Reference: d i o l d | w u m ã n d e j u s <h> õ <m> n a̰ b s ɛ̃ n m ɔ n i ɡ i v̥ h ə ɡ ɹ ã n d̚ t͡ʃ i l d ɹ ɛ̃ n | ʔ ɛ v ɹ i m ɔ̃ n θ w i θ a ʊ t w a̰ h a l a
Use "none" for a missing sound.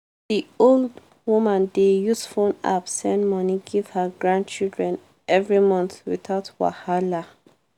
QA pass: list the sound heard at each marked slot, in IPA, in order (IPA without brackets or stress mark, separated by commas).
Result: f, none